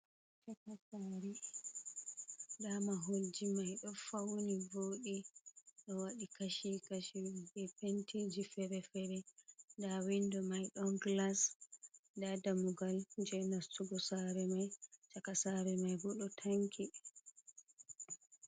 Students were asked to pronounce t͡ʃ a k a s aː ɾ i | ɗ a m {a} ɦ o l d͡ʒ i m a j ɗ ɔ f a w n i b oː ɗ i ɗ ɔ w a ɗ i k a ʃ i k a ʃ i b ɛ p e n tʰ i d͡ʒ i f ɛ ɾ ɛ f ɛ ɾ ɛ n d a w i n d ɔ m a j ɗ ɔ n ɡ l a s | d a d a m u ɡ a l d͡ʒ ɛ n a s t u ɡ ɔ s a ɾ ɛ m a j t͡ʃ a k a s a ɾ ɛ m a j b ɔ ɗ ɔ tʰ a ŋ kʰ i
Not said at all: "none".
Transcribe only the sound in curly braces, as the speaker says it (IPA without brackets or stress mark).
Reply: a